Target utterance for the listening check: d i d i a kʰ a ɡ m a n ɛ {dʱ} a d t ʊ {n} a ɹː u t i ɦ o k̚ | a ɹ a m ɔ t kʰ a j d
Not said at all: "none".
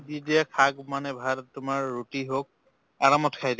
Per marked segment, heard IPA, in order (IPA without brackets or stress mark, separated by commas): bʱ, m